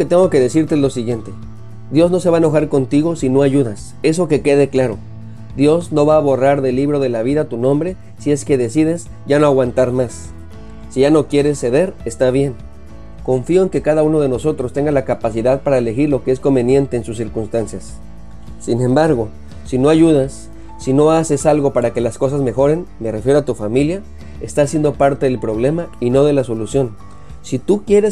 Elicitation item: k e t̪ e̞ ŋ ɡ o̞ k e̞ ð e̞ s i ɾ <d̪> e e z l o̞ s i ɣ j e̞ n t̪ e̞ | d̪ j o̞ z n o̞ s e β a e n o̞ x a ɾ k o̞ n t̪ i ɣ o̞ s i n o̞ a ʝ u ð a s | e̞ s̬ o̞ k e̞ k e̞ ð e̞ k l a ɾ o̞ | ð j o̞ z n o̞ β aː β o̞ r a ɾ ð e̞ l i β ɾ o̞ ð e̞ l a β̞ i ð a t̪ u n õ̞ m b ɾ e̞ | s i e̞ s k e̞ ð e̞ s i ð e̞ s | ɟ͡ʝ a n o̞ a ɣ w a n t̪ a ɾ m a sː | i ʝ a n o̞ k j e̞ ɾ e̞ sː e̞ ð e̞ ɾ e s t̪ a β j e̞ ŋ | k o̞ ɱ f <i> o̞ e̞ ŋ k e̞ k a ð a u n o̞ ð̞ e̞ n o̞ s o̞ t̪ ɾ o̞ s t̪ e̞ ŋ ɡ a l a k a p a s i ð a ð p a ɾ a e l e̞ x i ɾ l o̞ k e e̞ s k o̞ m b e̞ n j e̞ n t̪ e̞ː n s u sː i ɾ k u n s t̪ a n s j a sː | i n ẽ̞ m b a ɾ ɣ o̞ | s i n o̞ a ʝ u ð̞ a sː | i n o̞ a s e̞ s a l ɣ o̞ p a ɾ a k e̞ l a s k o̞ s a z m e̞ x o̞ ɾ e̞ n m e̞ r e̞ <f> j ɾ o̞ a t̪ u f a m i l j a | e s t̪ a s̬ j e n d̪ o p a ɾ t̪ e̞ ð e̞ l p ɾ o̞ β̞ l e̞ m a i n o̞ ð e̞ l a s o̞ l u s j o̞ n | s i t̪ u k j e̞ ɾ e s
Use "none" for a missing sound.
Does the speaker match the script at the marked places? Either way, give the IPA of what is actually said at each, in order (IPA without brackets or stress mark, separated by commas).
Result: t̪, i, f